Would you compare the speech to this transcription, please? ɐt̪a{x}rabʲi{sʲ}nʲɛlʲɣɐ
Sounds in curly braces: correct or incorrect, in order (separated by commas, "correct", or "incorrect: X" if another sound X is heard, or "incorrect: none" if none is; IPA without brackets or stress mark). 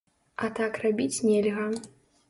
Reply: incorrect: k, incorrect: t͡sʲ